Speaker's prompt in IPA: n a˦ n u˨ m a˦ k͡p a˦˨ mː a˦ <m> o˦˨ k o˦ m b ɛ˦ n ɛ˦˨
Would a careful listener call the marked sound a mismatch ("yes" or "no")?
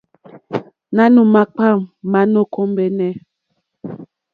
yes